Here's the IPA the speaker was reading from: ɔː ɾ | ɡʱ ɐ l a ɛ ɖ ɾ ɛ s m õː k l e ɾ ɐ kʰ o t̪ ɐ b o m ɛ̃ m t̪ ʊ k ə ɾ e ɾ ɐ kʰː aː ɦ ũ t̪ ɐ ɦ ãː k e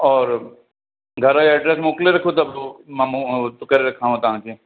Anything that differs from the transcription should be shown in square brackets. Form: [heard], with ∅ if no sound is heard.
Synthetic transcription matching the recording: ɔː ɾ | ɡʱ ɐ [ɾ] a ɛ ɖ ɾ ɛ s m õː k l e ɾ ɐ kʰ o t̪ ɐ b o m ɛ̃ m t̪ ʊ k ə ɾ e ɾ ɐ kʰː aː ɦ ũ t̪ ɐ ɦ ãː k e